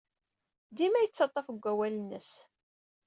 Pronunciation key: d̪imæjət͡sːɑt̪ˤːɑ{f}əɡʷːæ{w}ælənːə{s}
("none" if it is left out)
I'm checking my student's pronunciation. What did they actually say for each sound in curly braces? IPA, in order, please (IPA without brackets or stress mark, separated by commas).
f, w, s